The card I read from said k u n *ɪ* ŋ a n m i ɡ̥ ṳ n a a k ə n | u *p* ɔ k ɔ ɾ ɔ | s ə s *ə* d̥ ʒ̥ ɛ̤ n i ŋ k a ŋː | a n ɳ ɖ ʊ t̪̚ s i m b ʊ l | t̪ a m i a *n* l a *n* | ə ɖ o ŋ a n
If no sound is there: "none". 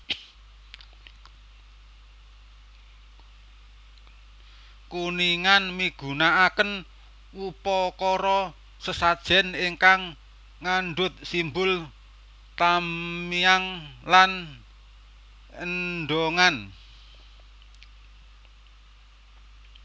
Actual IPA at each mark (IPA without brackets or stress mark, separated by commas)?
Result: i, p, a, ŋ, n